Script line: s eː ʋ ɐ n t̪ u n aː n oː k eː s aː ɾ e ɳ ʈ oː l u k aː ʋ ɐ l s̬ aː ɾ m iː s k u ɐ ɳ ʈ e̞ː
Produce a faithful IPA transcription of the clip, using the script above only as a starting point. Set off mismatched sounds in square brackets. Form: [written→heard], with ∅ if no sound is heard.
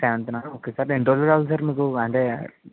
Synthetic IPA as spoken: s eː ʋ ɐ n t̪ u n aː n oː k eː s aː ɾ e ɳ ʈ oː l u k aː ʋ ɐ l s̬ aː ɾ m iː [s→∅] k u ɐ ɳ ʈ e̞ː